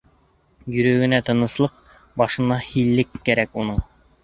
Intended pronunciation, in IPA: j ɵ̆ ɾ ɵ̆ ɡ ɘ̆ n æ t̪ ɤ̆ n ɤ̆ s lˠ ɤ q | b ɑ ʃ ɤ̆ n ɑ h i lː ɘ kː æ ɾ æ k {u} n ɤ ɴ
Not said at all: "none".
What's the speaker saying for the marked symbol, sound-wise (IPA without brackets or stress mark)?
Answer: u